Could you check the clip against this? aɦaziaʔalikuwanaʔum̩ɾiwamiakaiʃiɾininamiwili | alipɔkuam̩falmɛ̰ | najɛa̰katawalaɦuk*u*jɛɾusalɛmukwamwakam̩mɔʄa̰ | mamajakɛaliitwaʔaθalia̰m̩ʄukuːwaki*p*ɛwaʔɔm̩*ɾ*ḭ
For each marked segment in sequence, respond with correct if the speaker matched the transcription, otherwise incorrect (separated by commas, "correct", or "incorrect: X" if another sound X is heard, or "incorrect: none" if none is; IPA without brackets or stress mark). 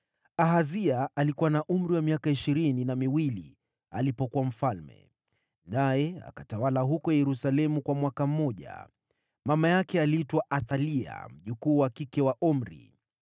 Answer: incorrect: ɔ, incorrect: k, correct